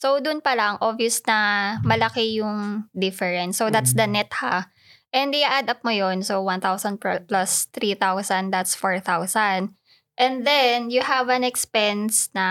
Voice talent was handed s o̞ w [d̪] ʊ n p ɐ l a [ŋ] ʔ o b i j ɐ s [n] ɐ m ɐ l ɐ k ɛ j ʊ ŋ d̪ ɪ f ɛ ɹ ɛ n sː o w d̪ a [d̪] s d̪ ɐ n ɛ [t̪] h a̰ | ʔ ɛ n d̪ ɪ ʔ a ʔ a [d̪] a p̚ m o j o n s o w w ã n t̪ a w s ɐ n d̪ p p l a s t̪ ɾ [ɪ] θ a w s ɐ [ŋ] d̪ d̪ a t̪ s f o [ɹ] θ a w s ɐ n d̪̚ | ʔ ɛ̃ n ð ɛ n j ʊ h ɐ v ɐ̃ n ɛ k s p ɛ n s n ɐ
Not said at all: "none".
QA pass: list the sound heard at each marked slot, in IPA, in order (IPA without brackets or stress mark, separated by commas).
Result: d̪, ŋ, n, t̪, t̪, d̪, i, n, ɹ